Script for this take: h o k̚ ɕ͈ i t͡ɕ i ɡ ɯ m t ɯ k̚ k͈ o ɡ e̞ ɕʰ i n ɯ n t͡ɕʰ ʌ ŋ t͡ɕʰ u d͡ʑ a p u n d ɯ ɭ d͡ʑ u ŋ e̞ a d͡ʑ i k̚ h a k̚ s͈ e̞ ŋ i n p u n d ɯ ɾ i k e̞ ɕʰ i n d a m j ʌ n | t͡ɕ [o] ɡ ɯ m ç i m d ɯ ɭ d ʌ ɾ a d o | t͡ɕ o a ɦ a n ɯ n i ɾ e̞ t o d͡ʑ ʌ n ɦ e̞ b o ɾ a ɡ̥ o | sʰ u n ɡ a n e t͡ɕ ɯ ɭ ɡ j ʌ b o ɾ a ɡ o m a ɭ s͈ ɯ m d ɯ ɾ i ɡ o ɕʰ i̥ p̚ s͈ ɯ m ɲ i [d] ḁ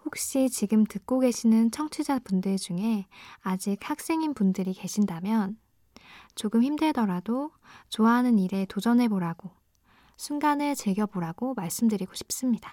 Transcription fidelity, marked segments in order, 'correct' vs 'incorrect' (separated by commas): correct, correct